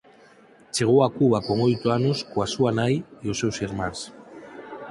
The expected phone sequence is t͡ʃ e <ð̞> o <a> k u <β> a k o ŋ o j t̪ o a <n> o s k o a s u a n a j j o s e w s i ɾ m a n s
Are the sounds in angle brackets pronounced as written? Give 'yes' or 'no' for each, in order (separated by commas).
no, yes, yes, yes